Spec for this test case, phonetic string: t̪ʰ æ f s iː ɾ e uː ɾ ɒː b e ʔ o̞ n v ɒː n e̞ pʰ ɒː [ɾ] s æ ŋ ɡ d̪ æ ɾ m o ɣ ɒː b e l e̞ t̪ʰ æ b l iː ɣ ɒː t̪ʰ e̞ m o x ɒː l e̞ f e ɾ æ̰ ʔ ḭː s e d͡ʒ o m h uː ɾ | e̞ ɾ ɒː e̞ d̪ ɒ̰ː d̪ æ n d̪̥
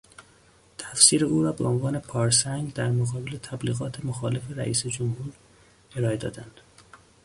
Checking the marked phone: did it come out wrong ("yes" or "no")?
no